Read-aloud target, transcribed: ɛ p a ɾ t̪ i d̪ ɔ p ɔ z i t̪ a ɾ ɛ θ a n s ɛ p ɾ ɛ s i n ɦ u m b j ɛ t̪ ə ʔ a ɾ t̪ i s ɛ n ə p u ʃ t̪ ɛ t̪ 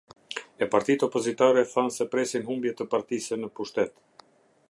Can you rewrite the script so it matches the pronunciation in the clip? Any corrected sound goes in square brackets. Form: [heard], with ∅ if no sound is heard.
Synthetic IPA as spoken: ɛ p a ɾ t̪ i [t̪] ɔ p ɔ z i t̪ a ɾ ɛ θ a n s ɛ p ɾ ɛ s i n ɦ u m b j ɛ t̪ ə [p] a ɾ t̪ i s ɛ n ə p u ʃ t̪ ɛ t̪

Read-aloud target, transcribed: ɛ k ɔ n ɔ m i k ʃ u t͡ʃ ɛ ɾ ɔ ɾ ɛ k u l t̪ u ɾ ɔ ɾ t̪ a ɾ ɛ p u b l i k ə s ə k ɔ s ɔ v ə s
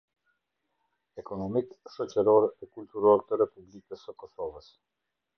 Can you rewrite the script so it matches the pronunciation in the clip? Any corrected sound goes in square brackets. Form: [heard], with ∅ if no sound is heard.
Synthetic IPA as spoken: ɛ k ɔ n ɔ m i k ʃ [ɔ] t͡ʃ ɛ ɾ ɔ ɾ ɛ k u l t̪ u ɾ ɔ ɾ t̪ [ə] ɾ ɛ p u b l i k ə s ə k ɔ s ɔ v ə s

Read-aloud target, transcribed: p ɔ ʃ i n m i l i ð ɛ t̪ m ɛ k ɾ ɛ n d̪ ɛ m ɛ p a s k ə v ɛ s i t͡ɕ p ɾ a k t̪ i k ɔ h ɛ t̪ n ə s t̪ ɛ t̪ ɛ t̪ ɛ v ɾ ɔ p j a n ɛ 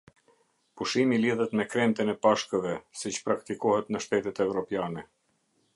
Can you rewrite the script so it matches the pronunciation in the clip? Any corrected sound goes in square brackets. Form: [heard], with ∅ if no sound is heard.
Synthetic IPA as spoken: p [u] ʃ i [∅] m i l i ð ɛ t̪ m ɛ k ɾ ɛ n [t̪] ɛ [n] ɛ p a [ʃ] k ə v ɛ s i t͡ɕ p ɾ a k t̪ i k ɔ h ɛ t̪ n ə [ʃ] t̪ ɛ t̪ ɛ t̪ ɛ v ɾ ɔ p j a n ɛ

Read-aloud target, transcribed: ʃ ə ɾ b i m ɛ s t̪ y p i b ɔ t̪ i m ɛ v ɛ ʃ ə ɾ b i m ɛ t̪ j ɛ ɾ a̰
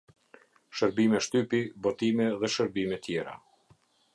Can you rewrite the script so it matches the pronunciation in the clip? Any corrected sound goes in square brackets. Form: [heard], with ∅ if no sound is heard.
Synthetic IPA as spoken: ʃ ə ɾ b i m ɛ [ʃ] t̪ y p i b ɔ t̪ i m ɛ [ð] ɛ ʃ ə ɾ b i m ɛ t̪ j ɛ ɾ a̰

